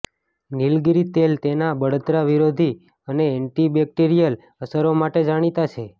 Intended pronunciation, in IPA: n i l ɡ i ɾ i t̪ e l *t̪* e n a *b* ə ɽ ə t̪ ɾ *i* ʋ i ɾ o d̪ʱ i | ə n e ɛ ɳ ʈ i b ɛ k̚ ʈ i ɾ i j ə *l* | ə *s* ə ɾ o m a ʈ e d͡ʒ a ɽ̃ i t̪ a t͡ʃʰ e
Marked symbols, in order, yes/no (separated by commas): yes, yes, no, yes, yes